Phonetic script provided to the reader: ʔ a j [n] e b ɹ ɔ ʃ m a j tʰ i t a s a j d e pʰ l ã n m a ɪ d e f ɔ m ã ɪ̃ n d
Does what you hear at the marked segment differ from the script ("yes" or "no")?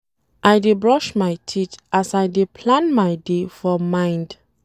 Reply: yes